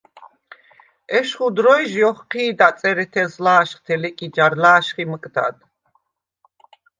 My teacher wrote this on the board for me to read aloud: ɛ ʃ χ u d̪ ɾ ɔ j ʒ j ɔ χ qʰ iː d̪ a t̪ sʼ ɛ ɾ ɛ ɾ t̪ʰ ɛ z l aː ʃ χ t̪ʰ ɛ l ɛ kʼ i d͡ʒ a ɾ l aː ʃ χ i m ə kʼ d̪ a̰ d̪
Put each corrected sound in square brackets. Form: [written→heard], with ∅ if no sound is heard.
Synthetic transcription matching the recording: ɛ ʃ χ u d̪ ɾ ɔ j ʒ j ɔ χ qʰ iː d̪ a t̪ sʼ ɛ ɾ ɛ [ɾ→∅] t̪ʰ ɛ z l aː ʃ χ t̪ʰ ɛ l ɛ kʼ i d͡ʒ a ɾ l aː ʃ χ i m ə kʼ d̪ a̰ d̪

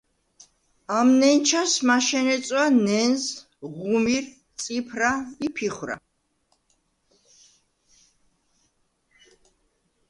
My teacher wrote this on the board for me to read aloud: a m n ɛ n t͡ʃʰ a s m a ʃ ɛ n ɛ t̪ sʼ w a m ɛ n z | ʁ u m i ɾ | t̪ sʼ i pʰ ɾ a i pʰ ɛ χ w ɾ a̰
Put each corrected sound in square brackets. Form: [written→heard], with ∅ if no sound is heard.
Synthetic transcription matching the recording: a m n ɛ n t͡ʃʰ a s m a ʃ ɛ n ɛ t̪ sʼ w a [m→n] ɛ n z | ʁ u m i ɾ | t̪ sʼ i pʰ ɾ a i pʰ [ɛ→i] χ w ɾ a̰

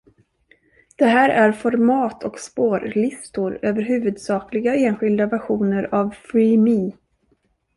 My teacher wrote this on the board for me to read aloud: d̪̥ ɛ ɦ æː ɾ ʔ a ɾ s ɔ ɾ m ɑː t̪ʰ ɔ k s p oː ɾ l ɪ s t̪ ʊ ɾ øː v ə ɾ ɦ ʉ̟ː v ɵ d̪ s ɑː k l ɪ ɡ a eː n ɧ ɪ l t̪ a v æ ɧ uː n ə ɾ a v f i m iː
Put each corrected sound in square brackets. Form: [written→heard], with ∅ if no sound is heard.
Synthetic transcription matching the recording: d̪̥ ɛ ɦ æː ɾ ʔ [a→æ] ɾ [s→f] ɔ ɾ m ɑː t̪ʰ ɔ k s p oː ɾ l ɪ s t̪ ʊ ɾ øː v ə ɾ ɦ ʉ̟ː v ɵ d̪ s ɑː k l ɪ ɡ a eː n ɧ ɪ l [t̪→d̪] a v æ ɧ uː n ə ɾ a v f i m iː

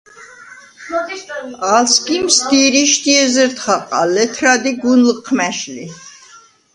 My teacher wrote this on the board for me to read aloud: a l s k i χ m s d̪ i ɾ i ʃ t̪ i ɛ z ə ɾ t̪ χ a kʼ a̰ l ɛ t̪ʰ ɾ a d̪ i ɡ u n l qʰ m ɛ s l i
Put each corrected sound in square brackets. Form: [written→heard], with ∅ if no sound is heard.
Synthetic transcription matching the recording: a l s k i [χ→∅] m s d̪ i ɾ i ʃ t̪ i ɛ z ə ɾ t̪ χ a [kʼ→qʼ] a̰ l ɛ t̪ʰ ɾ a d̪ i ɡ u n l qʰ m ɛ [s→ʃ] l i

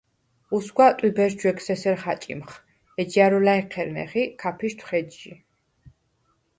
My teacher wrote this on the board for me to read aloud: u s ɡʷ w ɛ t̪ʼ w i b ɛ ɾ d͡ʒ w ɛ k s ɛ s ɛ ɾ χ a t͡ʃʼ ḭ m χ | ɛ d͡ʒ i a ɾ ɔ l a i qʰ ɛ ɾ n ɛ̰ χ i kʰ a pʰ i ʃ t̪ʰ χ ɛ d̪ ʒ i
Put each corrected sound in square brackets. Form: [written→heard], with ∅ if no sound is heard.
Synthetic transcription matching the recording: u s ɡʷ w [ɛ→a] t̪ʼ w i b ɛ ɾ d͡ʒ w ɛ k s ɛ s ɛ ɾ χ a t͡ʃʼ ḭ m χ | ɛ d͡ʒ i a ɾ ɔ l a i qʰ ɛ ɾ n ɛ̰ χ i kʰ a pʰ i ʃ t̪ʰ χ ɛ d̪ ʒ i

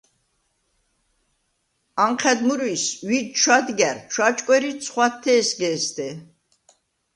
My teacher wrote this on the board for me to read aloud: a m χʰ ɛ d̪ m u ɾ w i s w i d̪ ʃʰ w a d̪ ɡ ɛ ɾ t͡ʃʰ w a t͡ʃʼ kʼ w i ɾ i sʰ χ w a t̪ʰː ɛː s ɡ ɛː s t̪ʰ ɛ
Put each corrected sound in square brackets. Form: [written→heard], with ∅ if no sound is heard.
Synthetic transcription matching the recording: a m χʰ ɛ d̪ m u ɾ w i s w i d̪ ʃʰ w a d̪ ɡ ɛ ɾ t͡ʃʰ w a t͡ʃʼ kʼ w [i→ɛ] ɾ i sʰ χ w a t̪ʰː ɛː s ɡ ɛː s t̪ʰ ɛ

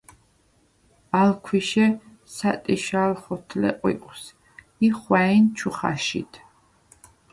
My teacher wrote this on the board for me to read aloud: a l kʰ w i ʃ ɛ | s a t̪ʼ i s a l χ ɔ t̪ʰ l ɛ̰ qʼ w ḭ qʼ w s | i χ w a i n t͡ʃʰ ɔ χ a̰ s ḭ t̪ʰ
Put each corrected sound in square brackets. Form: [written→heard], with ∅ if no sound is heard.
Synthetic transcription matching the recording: a l kʰ w i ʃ ɛ | s a t̪ʼ i [s→ʃ] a l χ ɔ t̪ʰ l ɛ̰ qʼ w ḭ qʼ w s | i χ w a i n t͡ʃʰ [ɔ→u] χ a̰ [s→ʃ] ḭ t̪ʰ

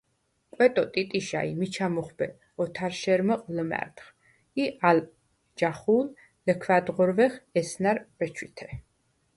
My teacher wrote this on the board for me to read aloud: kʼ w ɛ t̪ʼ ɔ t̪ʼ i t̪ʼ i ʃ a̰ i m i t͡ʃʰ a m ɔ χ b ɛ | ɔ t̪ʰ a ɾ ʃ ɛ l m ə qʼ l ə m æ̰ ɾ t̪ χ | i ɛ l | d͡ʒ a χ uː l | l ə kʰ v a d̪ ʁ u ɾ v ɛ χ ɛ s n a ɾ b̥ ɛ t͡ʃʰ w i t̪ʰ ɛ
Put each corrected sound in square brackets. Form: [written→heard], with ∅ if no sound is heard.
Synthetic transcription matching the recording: kʼ w ɛ t̪ʼ ɔ t̪ʼ i t̪ʼ i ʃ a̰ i m i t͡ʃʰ a m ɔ χ b ɛ | ɔ t̪ʰ a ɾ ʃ ɛ [l→ɾ] m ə qʼ l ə m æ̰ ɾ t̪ χ | i [ɛ→a] l | d͡ʒ a χ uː l | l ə kʰ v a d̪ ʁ [u→ɔ] ɾ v ɛ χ ɛ s n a ɾ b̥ ɛ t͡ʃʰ w i t̪ʰ ɛ

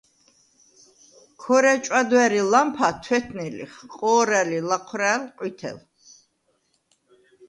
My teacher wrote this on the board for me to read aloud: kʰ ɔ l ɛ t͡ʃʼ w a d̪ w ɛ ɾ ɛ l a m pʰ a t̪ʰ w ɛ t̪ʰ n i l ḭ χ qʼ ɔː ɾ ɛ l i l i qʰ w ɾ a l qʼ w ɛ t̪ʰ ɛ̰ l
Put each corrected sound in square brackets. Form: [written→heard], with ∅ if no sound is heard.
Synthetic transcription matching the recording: kʰ ɔ [l→ɾ] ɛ t͡ʃʼ w a d̪ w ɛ ɾ [ɛ→i] l a m pʰ a t̪ʰ w ɛ t̪ʰ n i l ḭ χ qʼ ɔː ɾ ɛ l i l [i→a] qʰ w ɾ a l qʼ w [ɛ→i] t̪ʰ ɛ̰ l

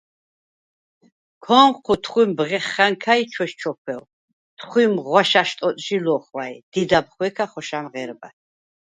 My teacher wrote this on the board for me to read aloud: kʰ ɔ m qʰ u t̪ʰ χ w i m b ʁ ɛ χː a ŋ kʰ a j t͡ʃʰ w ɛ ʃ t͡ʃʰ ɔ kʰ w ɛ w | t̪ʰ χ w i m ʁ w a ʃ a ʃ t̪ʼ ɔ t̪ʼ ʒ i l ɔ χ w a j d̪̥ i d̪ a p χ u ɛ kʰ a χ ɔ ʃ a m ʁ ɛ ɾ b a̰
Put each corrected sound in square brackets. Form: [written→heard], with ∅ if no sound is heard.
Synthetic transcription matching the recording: kʰ ɔ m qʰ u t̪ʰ χ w i m b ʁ ɛ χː a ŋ kʰ a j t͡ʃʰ w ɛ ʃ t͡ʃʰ ɔ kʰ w ɛ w | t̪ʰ χ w i m ʁ w a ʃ a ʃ t̪ʼ ɔ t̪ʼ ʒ i l ɔ χ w a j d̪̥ i d̪ a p χ [u→w] ɛ kʰ a χ ɔ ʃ a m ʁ ɛ ɾ b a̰

